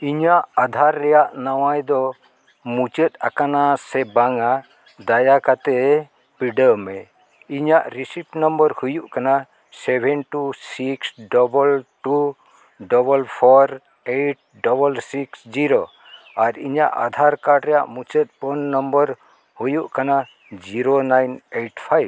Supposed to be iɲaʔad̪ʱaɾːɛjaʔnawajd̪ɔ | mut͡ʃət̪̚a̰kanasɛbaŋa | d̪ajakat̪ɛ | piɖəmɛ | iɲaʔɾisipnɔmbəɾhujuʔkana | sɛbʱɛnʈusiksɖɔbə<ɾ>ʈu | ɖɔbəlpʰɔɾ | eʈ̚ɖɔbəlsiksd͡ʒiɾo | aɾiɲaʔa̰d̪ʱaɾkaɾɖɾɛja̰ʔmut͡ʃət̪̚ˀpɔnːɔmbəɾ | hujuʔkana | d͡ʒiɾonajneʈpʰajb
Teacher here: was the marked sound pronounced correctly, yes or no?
no